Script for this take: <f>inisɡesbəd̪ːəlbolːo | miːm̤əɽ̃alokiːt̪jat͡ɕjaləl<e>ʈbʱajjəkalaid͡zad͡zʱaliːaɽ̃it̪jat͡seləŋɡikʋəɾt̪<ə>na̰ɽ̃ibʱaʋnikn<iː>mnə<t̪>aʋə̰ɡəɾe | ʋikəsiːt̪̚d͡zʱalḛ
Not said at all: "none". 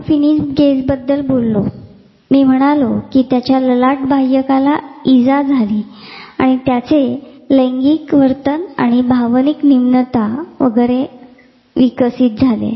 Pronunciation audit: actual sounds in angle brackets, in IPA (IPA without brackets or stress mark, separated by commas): f, a, ə, i, t̪